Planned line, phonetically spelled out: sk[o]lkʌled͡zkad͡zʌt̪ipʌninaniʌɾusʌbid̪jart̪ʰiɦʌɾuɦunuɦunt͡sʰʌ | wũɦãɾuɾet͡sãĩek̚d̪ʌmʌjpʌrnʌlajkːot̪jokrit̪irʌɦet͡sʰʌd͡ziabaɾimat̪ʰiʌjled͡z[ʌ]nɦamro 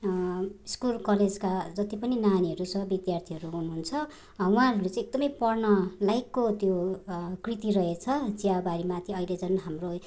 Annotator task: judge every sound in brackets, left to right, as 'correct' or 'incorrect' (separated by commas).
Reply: incorrect, correct